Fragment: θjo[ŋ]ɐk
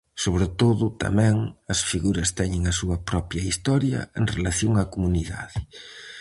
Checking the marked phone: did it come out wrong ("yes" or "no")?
no